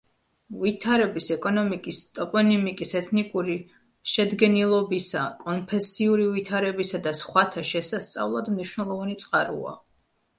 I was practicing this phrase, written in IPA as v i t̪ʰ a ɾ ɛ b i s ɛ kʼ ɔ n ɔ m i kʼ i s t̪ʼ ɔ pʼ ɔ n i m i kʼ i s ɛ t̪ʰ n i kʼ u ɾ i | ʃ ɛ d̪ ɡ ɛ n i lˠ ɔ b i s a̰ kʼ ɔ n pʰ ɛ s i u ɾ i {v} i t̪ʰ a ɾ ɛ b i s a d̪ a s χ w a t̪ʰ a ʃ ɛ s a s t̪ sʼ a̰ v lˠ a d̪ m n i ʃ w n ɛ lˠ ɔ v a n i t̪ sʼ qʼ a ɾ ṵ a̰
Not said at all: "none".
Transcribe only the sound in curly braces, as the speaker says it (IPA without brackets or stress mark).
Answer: v